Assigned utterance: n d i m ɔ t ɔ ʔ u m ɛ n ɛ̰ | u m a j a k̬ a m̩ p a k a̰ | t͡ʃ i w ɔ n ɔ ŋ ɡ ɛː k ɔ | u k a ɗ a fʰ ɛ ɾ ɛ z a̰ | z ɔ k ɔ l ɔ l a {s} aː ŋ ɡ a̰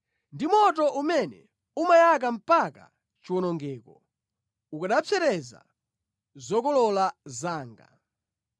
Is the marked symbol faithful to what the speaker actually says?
no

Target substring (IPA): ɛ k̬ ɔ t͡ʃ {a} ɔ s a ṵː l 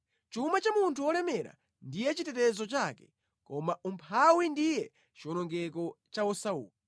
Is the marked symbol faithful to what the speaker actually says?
yes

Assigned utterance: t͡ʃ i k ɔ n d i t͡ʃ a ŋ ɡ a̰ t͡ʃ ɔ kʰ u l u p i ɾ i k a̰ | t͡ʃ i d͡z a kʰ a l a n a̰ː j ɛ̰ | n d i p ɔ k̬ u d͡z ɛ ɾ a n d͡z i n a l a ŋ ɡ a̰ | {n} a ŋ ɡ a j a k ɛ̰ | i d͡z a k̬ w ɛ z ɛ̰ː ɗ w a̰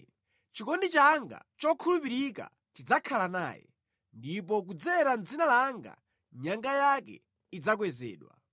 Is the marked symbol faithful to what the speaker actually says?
no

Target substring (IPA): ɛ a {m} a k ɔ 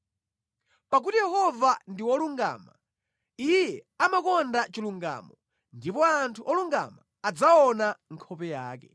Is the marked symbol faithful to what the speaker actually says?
yes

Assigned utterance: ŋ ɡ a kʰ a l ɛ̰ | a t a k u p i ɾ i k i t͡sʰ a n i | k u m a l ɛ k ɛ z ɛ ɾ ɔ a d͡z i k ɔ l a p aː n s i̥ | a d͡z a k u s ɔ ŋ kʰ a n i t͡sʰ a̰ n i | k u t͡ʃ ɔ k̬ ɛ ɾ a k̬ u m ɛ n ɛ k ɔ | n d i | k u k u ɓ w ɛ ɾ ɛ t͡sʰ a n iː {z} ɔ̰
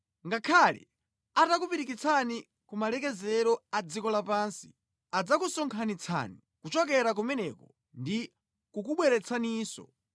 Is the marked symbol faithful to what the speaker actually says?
no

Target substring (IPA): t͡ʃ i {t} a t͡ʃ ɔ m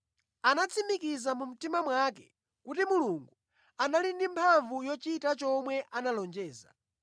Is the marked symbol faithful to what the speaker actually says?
yes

